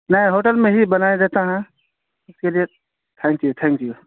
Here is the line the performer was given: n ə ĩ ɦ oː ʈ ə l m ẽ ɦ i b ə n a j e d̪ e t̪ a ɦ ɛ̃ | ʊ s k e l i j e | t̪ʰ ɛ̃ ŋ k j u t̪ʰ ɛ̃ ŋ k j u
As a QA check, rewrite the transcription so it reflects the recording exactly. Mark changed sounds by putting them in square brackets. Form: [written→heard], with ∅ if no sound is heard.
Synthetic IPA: n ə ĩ ɦ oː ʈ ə l m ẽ ɦ i b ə n a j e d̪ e t̪ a ɦ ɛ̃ | ʊ s k e l i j e | t̪ʰ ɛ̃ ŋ k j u t̪ʰ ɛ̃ ŋ k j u

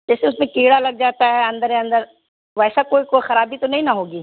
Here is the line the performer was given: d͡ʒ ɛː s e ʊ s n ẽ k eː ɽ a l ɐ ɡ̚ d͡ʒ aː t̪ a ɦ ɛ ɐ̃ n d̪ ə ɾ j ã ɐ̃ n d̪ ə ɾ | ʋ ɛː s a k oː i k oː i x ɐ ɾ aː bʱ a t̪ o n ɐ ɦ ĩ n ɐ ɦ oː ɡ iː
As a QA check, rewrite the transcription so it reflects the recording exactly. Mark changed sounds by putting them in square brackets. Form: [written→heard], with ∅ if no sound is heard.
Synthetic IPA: d͡ʒ ɛː s e ʊ s [n→m] ẽ k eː ɽ a l ɐ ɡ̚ d͡ʒ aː t̪ a ɦ ɛ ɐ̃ n d̪ ə ɾ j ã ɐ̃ n d̪ ə ɾ | ʋ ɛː s a k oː i k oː i x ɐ ɾ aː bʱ [a→i] t̪ o n ɐ ɦ ĩ n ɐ ɦ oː ɡ iː

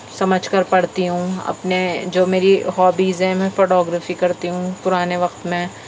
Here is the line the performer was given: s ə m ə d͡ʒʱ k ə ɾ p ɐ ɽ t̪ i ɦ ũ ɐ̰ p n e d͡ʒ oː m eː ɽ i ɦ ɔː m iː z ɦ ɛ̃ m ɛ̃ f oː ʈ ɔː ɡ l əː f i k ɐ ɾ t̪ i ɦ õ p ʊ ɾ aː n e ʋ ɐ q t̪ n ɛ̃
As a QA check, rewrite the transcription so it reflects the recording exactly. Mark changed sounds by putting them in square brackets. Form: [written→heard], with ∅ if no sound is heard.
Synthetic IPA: s [ə→ɐ] m ə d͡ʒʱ k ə ɾ p ɐ ɽ t̪ i ɦ ũ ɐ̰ p n e d͡ʒ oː m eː [ɽ→ɾ] i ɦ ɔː [m→b] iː z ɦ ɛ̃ m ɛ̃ f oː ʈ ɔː ɡ [l→ɾ] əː f i k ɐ ɾ t̪ i ɦ [õ→ũ] p ʊ ɾ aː n e ʋ ɐ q t̪ [n→m] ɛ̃

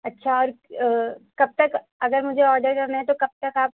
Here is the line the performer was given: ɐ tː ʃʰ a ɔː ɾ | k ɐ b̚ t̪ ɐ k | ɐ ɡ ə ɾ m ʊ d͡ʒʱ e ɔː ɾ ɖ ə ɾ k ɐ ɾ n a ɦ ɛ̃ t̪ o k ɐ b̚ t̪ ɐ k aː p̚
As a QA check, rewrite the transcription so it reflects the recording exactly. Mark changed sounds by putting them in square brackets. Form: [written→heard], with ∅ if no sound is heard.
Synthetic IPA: ɐ tː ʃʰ a ɔː ɾ | k ɐ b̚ t̪ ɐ k | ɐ ɡ ə ɾ m ʊ d͡ʒʱ e ɔː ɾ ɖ ə ɾ k ɐ ɾ n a ɦ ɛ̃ t̪ o k ɐ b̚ t̪ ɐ k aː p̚

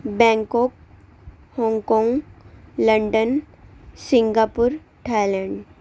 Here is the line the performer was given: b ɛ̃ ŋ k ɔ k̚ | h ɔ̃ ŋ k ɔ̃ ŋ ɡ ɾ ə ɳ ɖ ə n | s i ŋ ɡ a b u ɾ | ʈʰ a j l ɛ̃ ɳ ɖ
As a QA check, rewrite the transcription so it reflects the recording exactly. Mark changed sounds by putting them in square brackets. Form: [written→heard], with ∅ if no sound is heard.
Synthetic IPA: b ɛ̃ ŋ k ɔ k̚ | h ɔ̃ ŋ k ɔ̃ ŋ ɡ [ɾ→l] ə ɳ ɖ ə n | s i ŋ ɡ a [b→p] u ɾ | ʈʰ a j l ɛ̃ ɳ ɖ

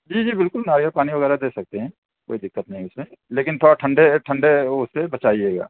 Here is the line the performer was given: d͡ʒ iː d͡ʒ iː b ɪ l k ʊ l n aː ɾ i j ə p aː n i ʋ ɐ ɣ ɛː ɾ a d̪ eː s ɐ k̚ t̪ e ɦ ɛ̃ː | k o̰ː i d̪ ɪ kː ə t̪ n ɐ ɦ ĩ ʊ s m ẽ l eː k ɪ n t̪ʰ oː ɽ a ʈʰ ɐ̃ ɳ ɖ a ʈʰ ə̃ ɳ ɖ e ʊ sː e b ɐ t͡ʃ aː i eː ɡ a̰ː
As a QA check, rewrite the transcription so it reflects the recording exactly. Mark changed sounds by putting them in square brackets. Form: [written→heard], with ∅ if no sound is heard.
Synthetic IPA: d͡ʒ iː d͡ʒ iː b ɪ l k ʊ l n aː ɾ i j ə p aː n i ʋ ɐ ɣ ɛː ɾ a d̪ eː s ɐ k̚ t̪ e ɦ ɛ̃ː | k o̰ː i d̪ ɪ kː ə t̪ n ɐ ɦ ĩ ʊ s m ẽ l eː k ɪ n t̪ʰ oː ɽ a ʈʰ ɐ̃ ɳ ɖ [a→e] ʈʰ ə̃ ɳ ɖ e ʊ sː e b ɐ t͡ʃ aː i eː ɡ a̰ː

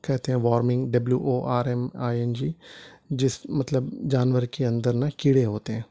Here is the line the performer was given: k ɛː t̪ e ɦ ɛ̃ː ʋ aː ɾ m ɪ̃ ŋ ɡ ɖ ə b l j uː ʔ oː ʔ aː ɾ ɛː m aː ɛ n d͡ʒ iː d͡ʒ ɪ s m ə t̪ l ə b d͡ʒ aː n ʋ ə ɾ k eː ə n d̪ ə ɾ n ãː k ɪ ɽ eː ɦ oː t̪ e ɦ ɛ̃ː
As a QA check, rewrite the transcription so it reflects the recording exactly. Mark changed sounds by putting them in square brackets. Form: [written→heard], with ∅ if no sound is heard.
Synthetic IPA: k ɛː t̪ e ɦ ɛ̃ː ʋ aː ɾ m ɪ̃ ŋ ɡ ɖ ə b l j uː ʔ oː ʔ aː ɾ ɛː m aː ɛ n d͡ʒ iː d͡ʒ ɪ s m ə t̪ l ə b d͡ʒ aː n ʋ ə ɾ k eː ə n d̪ ə ɾ n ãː k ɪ ɽ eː ɦ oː t̪ e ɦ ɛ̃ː

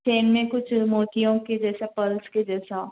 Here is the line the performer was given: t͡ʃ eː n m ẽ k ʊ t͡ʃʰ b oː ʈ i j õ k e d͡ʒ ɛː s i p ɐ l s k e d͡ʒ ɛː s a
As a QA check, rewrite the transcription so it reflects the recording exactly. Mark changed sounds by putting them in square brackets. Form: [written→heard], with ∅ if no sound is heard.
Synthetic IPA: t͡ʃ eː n m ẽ k ʊ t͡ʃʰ [b→m] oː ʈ i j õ k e d͡ʒ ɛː s [i→a] p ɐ l s k e d͡ʒ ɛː s a

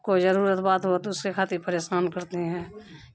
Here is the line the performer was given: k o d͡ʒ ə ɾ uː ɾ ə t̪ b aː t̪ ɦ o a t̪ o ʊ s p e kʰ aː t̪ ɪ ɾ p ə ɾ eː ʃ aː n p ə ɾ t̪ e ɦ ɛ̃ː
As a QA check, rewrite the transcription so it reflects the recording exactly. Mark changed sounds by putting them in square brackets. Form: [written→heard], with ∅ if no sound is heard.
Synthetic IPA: k o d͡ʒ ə ɾ uː ɾ ə t̪ b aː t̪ ɦ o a t̪ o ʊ s [p→k] e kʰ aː t̪ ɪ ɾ p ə ɾ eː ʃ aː n [p→k] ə ɾ t̪ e ɦ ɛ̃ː

